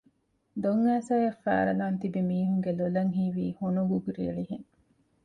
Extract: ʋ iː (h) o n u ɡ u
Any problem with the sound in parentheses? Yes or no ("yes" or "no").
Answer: no